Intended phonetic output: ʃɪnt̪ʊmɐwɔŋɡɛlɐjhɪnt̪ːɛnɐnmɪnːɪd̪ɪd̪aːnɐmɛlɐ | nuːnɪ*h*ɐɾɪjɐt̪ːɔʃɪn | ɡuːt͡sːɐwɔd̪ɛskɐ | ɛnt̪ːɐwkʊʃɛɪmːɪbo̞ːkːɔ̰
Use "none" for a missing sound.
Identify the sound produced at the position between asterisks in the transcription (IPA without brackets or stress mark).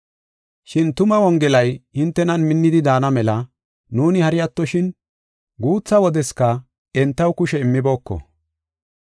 h